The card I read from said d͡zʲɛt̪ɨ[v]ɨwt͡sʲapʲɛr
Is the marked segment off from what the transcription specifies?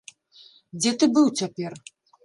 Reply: yes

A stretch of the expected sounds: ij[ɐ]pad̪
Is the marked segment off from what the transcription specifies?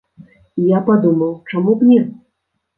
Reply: yes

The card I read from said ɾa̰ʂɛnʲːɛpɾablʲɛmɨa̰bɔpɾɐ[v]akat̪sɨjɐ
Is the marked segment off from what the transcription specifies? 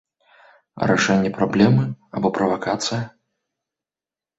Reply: no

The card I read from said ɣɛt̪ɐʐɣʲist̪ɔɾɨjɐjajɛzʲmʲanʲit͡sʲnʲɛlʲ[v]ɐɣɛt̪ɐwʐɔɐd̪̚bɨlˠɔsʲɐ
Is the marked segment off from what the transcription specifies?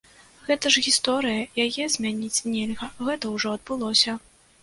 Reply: yes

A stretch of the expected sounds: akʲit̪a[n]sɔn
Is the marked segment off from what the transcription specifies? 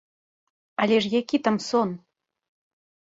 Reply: yes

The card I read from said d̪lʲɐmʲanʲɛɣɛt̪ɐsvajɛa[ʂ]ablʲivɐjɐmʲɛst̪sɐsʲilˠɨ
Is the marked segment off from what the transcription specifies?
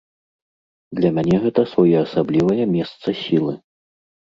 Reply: yes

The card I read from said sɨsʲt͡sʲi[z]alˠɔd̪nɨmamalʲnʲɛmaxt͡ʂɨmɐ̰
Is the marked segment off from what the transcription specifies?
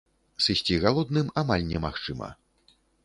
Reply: yes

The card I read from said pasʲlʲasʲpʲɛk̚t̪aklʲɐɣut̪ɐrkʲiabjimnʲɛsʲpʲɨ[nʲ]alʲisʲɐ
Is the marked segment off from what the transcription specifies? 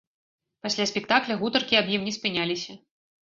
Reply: no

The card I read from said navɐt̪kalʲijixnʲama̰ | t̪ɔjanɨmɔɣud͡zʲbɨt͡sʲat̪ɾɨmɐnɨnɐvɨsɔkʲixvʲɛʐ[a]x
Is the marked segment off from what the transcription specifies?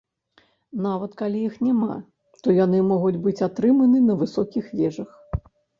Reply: yes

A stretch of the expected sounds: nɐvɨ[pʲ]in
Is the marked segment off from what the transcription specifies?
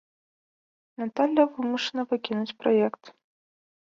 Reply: yes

